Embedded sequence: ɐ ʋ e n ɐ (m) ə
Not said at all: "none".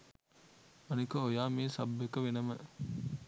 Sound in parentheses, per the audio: m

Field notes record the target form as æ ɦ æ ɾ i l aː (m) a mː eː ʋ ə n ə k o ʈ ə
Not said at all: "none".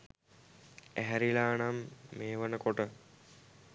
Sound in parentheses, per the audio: n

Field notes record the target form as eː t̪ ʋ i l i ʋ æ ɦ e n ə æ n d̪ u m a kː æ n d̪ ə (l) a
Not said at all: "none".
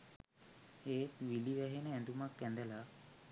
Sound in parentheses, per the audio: l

